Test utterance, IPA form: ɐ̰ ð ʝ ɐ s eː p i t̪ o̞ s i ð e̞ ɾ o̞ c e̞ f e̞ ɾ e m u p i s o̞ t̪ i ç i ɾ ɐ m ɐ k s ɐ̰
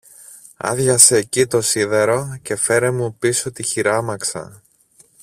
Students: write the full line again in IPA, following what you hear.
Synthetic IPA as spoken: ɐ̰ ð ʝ ɐ s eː c i t̪ o̞ s i ð e̞ ɾ o̞ c e̞ f e̞ ɾ e m u p i s o̞ t̪ i ç i ɾ ɐ m ɐ k s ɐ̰